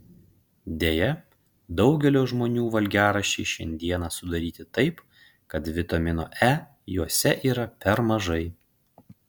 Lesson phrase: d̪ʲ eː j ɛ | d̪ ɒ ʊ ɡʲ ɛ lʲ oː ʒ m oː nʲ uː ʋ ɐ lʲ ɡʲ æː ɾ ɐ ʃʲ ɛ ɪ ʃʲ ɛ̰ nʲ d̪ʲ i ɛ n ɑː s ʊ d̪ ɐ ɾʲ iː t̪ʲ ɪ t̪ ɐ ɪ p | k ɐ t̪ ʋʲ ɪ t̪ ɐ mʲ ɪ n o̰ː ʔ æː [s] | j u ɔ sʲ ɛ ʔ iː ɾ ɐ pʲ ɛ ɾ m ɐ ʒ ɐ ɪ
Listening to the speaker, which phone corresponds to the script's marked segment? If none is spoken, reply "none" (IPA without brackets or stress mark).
none